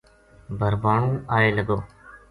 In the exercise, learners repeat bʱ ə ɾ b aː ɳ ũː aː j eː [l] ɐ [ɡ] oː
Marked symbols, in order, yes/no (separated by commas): yes, yes